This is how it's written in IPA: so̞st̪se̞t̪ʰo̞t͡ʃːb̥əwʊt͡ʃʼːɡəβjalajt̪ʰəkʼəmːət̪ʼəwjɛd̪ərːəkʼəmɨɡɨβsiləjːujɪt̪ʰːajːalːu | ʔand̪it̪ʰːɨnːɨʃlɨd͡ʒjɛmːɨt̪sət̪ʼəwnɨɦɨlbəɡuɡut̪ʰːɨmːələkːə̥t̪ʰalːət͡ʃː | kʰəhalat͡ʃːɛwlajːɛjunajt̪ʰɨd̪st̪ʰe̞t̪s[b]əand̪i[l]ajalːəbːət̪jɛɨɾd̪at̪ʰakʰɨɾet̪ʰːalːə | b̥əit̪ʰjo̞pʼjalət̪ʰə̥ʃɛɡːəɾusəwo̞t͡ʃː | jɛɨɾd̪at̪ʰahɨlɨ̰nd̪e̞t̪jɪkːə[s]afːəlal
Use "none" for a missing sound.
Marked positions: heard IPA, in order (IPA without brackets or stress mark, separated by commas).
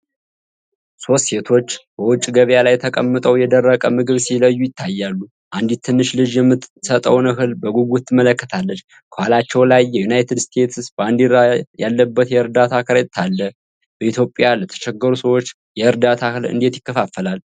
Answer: b, ɾ, f